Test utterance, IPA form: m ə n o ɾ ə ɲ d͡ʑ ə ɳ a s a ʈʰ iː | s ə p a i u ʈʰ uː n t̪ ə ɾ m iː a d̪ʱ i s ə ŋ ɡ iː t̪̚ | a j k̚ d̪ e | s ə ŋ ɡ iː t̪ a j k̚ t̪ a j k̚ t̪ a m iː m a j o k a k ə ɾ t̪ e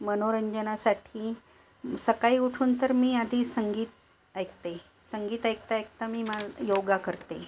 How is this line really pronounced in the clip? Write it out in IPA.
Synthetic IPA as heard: m ə n o ɾ ə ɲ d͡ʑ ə n a s a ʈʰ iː | s ə k a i u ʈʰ uː n t̪ ə ɾ m iː a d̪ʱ i s ə ŋ ɡ iː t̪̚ | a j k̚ t̪ e | s ə ŋ ɡ iː t̪ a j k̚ t̪ a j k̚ t̪ a m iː m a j o ɡ a k ə ɾ t̪ e